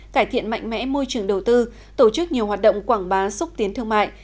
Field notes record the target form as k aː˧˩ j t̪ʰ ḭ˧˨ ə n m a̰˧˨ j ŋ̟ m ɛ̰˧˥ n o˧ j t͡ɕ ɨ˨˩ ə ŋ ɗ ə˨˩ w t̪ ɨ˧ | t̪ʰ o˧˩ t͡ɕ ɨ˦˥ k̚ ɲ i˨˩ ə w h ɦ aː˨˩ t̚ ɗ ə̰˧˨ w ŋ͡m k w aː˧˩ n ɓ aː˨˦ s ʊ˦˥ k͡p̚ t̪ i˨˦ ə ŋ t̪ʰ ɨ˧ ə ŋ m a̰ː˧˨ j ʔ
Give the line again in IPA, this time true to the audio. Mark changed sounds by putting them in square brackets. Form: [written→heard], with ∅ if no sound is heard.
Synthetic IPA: k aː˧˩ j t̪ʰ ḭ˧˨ ə n m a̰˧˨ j ŋ̟ m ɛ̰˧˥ [n→m] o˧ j t͡ɕ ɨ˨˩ ə ŋ ɗ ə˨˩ w t̪ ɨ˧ | [t̪ʰ→t̪] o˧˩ t͡ɕ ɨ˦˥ k̚ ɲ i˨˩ ə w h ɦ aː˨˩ t̚ ɗ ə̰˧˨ w ŋ͡m k w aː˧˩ [n→ŋ] ɓ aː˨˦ s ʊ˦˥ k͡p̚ t̪ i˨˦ ə [ŋ→n] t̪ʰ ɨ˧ ə ŋ m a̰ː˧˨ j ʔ